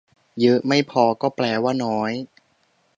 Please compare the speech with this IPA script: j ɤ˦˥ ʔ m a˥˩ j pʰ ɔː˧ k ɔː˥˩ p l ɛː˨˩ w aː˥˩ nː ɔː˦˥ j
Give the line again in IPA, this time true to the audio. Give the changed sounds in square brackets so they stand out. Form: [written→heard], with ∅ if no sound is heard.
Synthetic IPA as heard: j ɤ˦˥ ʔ m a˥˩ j pʰ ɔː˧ k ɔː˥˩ p l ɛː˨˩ w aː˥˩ [nː→n] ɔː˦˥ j

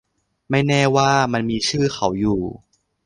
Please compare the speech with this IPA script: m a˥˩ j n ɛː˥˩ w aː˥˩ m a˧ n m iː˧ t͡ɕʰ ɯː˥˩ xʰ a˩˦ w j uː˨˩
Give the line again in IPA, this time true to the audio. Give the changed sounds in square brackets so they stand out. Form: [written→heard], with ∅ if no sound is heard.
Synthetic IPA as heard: m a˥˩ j n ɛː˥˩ w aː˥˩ m a˧ n m iː˧ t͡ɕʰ ɯː˥˩ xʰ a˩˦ w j uː˨˩

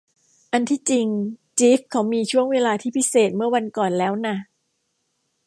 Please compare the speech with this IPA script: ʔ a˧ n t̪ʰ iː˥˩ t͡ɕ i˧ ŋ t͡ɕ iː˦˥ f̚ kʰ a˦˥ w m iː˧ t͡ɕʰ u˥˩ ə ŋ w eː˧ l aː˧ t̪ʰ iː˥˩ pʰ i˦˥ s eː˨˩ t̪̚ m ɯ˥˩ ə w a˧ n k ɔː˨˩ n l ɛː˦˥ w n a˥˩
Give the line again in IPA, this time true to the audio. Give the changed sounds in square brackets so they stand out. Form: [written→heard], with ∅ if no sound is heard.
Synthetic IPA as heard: ʔ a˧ n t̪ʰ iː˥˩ t͡ɕ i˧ ŋ t͡ɕ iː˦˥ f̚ kʰ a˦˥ w m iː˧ t͡ɕʰ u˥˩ ə ŋ w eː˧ l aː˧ t̪ʰ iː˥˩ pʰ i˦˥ s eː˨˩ t̪̚ m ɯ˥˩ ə w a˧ n k ɔː˨˩ n l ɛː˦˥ w n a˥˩

